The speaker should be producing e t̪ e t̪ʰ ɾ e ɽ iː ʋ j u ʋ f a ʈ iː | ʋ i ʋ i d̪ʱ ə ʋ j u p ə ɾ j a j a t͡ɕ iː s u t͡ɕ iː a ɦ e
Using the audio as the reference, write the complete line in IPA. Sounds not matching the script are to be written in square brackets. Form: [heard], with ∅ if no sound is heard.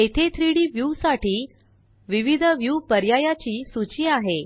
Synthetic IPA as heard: e [t̪ʰ] e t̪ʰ ɾ [i] ɽ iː ʋ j u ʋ [s] a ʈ iː | ʋ i ʋ i d̪ʱ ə ʋ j u p ə ɾ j a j a t͡ɕ iː s u t͡ɕ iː a ɦ e